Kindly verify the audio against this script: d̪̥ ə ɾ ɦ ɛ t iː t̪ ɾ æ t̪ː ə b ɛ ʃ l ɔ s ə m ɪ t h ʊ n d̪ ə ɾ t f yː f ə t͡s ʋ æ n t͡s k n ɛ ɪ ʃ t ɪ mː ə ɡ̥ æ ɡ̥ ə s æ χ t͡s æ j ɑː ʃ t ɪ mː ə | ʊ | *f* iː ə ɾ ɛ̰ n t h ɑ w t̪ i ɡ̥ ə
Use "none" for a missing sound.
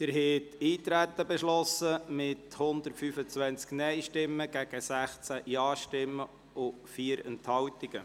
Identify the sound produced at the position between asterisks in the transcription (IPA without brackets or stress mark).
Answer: f